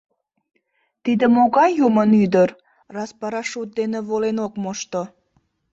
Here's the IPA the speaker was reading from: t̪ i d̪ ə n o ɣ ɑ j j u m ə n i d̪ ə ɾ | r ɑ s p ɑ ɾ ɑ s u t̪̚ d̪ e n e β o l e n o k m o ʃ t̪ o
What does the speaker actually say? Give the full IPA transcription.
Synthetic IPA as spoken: t̪ i d̪ ə m o ɣ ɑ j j u m ə n y d̪ ə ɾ | r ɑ s p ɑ ɾ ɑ ʃ u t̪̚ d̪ e n e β o l e n o k m o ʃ t̪ o